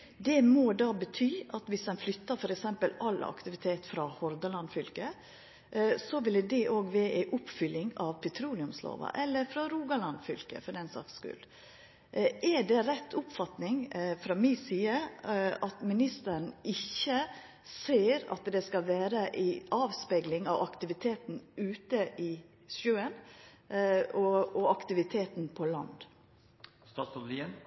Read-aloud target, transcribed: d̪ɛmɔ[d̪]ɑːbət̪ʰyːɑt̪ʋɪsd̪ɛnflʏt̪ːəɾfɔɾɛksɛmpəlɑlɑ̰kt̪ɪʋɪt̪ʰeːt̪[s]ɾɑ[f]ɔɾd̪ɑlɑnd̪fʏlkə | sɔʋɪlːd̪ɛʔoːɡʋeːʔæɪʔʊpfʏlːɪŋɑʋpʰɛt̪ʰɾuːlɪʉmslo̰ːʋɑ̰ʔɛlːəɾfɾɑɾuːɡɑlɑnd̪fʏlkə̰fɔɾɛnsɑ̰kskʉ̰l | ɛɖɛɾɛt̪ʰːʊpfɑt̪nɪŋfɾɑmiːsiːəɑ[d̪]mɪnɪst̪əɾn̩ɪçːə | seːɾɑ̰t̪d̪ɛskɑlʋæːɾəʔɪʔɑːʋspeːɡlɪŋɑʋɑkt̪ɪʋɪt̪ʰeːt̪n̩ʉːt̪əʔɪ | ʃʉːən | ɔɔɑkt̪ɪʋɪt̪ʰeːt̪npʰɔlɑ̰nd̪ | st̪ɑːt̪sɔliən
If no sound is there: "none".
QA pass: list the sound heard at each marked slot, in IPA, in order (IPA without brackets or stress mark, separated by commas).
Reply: d̪, f, h, t̪